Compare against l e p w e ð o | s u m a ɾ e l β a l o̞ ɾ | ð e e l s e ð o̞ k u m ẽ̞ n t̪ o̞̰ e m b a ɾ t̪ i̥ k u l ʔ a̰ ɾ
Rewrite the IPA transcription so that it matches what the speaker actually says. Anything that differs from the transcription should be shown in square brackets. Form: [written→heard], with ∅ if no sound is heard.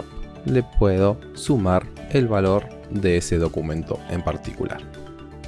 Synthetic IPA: l e p w e ð o | s u m a ɾ e l β a l o̞ ɾ | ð e e [l→∅] s e ð o̞ k u m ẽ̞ n t̪ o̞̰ e m [b→p] a ɾ t̪ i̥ k u l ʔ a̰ ɾ

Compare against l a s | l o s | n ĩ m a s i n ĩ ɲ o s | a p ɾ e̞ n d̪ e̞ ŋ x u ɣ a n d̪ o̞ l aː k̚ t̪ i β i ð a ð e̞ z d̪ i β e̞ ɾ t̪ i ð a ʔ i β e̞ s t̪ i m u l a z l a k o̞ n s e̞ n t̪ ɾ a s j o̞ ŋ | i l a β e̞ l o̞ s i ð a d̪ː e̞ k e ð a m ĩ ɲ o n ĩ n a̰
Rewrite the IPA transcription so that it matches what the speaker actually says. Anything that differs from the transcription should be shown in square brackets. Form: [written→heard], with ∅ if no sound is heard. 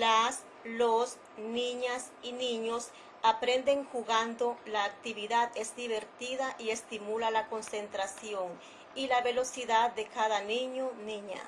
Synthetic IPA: l a s | l o s | n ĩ [m→ɲ] a s i n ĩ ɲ o s | a p ɾ e̞ n d̪ e̞ ŋ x u ɣ a n d̪ o̞ l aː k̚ t̪ i β i ð a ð e̞ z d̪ i β e̞ ɾ t̪ i ð a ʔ i [β→∅] e̞ s t̪ i m u l a [z→∅] l a k o̞ n s e̞ n t̪ ɾ a s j o̞ ŋ | i l a β e̞ l o̞ s i ð a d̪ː e̞ k [e→a] ð a [m→n] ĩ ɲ o n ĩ [n→ɲ] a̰

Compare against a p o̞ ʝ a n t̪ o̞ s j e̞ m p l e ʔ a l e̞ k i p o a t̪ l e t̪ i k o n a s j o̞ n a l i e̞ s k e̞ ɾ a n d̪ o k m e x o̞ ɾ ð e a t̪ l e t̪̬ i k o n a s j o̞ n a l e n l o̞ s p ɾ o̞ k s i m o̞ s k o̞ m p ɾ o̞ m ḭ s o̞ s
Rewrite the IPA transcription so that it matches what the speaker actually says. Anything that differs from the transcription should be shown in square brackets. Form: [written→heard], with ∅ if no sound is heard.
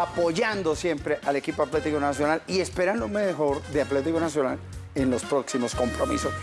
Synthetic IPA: a p o̞ ʝ a n [t̪→d̪] o̞ s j e̞ m p [l→ɾ] e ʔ a l e̞ k i p o a t̪ l e t̪ i k o n a s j o̞ n a l i e̞ s [k→p] e̞ ɾ a n d̪ o [k→∅] m e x o̞ ɾ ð e a t̪ l e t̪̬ i k o n a s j o̞ n a l e n l o̞ s p ɾ o̞ k s i m o̞ s k o̞ m p ɾ o̞ m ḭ s o̞ s

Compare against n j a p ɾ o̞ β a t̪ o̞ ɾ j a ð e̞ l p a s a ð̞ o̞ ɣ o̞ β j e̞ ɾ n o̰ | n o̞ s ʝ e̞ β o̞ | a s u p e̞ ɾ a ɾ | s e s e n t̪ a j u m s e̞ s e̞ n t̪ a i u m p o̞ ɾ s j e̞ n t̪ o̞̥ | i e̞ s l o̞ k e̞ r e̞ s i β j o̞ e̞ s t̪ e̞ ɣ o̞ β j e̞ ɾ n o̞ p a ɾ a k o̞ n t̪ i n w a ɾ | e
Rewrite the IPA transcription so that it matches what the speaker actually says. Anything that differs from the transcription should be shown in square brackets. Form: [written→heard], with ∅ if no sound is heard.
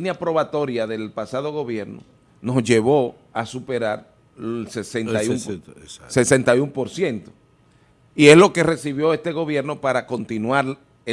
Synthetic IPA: n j a p ɾ o̞ β a t̪ o̞ ɾ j a ð e̞ l p a s a ð̞ o̞ ɣ o̞ β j e̞ ɾ n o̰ | n o̞ s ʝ e̞ β o̞ | a s u p e̞ ɾ a ɾ | s e s e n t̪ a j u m s e̞ s e̞ n t̪ a [i→j] u m p o̞ ɾ s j e̞ n t̪ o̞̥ | i e̞ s l o̞ k e̞ r e̞ s i β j o̞ e̞ s t̪ e̞ ɣ o̞ β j e̞ ɾ n o̞ p a ɾ a k o̞ n t̪ i n w a ɾ | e

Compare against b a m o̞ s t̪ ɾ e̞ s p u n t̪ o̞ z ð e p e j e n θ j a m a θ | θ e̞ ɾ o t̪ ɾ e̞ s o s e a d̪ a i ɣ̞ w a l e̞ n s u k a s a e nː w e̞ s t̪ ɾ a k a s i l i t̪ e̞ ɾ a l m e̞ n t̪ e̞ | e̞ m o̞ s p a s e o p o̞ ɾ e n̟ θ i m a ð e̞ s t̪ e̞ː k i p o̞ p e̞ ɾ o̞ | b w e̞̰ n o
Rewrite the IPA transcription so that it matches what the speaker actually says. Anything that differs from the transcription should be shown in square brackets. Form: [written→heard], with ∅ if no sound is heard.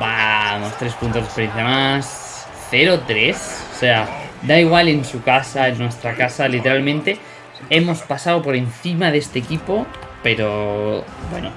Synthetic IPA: b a m o̞ s t̪ ɾ e̞ s p u n t̪ o̞ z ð e p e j e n θ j a m a [θ→s] | θ e̞ ɾ o t̪ ɾ e̞ s o s e a d̪ a i ɣ̞ w a l e̞ n s u k a s a e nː w e̞ s t̪ ɾ a k a s [i→a] l i t̪ e̞ ɾ a l m [e̞→ẽ̞] n t̪ e̞ | e̞ m o̞ s p a s [e→a] o p o̞ ɾ e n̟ θ i m a ð e̞ s t̪ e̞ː k i p o̞ p e̞ ɾ o̞ | b w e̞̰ n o

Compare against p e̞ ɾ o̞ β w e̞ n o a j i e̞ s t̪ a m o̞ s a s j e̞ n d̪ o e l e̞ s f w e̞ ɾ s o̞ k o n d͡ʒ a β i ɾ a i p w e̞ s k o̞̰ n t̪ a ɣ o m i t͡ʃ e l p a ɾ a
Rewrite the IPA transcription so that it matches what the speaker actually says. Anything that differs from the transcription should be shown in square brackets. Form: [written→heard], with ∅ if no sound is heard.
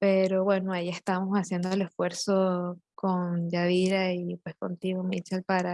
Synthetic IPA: p e̞ ɾ o̞ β w e̞ n o a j i e̞ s t̪ a m o̞ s a s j e̞ n d̪ o e l e̞ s f w e̞ ɾ s o̞ k o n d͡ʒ a β i ɾ a i p w e̞ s k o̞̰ n t̪ [a→i] ɣ o m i t͡ʃ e l p a ɾ a

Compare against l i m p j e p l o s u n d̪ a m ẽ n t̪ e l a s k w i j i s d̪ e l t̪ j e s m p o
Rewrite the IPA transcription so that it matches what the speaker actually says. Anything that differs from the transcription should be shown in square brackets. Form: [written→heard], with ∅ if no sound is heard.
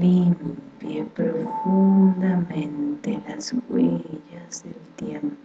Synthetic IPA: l i m p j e p [l→ɾ] o [s→f] u n d̪ a m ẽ n t̪ e l a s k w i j [i→a] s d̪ e l t̪ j e [s→∅] m p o

